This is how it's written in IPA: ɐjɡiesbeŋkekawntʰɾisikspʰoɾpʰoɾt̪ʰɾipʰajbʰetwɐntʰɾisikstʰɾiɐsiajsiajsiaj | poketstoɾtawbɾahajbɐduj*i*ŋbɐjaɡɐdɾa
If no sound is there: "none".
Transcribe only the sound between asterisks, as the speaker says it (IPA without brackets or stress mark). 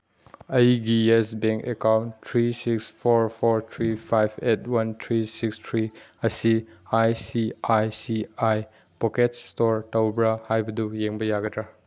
e